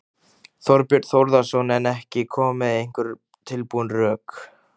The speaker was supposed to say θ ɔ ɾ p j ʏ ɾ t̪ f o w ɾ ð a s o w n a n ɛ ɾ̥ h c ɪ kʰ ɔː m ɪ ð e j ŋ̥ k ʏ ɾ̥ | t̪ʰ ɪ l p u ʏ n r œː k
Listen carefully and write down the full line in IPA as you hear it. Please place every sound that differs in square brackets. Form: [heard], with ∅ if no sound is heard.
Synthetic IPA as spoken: θ ɔ ɾ p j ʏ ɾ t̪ [θ] o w ɾ ð a s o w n [ɛ] n ɛ [∅] h c ɪ kʰ ɔː m ɪ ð e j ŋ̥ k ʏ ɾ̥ | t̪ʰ ɪ l p u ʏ n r œː k